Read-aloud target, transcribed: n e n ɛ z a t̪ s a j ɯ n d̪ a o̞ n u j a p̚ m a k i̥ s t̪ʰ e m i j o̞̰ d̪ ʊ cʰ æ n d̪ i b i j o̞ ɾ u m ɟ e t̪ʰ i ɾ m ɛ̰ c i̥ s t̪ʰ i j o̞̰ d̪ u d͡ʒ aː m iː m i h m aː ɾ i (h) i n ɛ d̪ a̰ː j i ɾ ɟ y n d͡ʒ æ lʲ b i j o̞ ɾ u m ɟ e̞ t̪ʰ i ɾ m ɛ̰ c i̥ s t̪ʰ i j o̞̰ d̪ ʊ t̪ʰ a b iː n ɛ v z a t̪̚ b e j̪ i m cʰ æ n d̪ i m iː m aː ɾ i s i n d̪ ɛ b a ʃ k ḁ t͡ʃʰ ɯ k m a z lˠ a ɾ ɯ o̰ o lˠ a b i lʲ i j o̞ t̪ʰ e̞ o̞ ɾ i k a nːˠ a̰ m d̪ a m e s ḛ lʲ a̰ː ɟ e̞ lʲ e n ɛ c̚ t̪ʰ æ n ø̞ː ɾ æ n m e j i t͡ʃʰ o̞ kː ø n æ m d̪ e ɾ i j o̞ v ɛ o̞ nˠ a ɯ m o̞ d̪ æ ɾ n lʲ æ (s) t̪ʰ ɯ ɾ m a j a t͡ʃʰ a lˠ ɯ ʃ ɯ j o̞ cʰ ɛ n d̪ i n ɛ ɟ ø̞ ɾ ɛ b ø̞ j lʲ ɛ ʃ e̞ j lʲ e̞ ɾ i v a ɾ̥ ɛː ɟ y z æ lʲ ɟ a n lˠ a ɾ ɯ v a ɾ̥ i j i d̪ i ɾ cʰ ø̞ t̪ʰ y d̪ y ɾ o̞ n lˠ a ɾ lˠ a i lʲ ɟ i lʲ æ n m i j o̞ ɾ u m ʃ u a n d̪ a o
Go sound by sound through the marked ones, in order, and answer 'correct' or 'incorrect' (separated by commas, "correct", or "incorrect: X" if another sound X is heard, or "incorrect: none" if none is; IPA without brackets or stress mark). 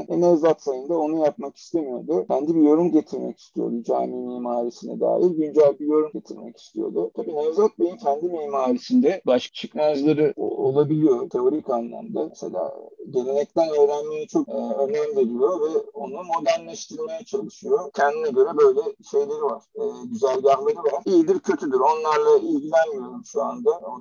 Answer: incorrect: s, incorrect: ʃ